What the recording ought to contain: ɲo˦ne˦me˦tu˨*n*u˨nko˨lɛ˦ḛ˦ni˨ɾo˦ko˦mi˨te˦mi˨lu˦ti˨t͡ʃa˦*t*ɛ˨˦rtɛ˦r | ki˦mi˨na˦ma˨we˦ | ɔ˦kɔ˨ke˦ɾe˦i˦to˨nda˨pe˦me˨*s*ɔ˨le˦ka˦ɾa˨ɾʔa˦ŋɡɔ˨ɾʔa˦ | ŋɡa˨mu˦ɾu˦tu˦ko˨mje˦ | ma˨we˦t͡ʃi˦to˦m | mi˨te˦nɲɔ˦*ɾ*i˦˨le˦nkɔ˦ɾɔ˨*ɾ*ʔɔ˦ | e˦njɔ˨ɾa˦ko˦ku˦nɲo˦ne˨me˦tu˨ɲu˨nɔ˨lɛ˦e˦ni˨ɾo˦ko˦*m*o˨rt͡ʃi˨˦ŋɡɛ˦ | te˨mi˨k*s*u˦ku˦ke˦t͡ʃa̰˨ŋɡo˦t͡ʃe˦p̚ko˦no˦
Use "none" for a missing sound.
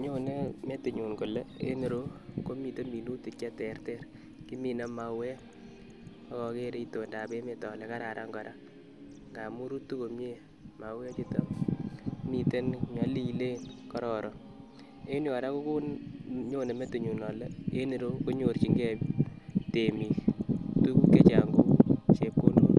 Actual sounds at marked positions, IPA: ɲ, t, t, l, ɾ, ɲ, t

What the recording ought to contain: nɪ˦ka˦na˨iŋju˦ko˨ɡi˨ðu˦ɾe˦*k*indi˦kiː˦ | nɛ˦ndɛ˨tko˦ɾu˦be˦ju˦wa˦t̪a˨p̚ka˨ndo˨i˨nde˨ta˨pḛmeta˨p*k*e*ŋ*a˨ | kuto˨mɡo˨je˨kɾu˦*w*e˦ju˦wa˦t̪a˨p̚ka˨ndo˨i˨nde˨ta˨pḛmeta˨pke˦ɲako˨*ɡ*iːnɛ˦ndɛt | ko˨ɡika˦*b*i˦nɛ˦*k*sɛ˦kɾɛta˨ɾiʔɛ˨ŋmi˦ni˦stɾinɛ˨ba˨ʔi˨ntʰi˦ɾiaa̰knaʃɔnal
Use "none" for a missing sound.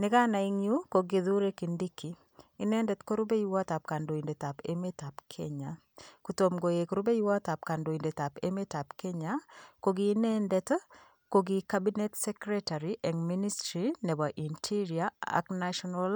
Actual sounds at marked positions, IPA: k, kʰ, ɲ, b, ɡ, b, t

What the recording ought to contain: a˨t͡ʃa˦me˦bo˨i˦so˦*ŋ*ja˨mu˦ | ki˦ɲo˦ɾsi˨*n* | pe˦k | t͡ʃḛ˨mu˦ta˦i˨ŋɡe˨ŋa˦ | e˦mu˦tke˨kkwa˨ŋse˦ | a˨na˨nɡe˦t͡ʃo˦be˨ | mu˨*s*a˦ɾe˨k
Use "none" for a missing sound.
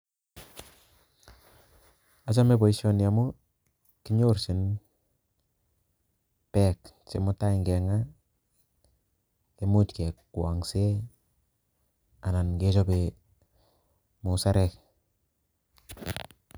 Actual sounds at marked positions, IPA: n, n, s

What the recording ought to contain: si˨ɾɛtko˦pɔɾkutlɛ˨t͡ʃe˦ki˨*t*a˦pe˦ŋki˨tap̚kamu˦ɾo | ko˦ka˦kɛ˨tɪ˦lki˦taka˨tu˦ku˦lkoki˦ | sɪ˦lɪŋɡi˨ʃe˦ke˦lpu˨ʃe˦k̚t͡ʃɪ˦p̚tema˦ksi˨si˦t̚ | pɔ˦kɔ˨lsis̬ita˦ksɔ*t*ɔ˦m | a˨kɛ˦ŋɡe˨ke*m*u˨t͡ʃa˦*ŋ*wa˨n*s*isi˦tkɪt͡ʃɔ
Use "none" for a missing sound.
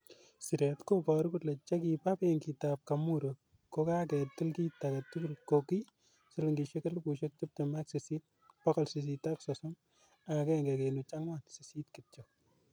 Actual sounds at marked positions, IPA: p, s, n, ŋ, s

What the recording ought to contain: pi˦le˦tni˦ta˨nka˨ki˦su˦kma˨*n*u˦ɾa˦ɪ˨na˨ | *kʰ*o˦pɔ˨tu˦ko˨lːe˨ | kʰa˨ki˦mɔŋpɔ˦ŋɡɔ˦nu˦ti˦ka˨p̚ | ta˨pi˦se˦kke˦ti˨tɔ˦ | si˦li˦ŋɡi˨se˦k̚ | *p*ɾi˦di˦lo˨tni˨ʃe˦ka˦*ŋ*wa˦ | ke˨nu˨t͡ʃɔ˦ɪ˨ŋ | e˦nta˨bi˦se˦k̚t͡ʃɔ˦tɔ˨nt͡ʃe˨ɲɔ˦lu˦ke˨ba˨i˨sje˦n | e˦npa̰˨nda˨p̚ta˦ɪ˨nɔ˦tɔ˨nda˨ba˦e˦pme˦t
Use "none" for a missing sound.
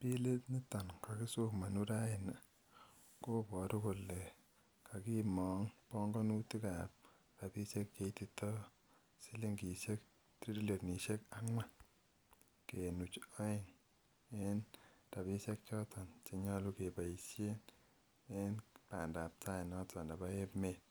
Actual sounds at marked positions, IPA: n, k, t, ŋ

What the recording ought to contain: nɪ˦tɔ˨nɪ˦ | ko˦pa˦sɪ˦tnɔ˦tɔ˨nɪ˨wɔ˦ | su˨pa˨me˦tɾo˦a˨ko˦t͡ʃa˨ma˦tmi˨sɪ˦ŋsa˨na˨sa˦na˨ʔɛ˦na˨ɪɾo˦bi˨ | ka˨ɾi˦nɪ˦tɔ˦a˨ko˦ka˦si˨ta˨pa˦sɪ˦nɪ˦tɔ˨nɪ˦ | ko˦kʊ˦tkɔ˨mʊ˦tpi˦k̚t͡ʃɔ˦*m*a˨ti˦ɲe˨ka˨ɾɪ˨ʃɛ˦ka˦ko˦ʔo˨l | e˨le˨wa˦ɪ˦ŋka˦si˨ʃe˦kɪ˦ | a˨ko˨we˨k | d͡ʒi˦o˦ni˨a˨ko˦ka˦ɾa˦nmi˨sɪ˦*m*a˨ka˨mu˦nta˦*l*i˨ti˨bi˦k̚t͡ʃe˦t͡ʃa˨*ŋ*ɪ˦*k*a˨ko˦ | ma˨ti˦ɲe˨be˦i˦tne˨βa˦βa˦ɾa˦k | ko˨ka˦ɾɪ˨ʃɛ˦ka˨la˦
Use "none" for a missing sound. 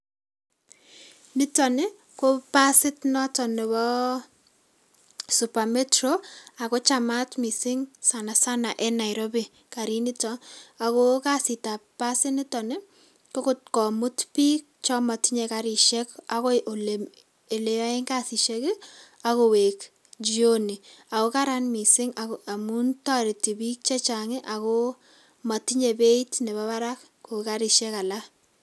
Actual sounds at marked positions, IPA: m, ŋ, ɾ, ŋ, ʔ

